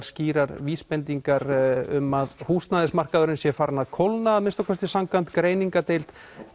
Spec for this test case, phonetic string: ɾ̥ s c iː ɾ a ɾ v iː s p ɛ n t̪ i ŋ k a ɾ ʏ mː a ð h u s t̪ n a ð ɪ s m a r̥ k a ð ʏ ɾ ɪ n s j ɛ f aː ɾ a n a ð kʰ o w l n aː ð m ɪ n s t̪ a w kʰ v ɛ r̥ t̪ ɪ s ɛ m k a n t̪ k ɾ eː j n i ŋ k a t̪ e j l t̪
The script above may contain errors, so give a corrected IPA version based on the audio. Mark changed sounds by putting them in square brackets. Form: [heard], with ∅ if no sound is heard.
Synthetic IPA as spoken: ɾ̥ s c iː ɾ a ɾ v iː s p ɛ n t̪ i ŋ k a ɾ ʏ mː a ð h u s t̪ n a ð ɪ s m a r̥ k a ð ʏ ɾ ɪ n s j ɛ f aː ɾ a n a ð kʰ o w l n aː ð m ɪ n s t̪ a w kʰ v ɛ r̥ t̪ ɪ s [a] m k a n t̪ k ɾ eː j n i ŋ k a t̪ e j l t̪